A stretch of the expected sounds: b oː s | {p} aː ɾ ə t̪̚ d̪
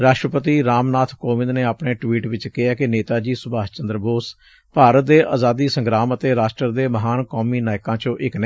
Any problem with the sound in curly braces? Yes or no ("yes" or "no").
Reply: no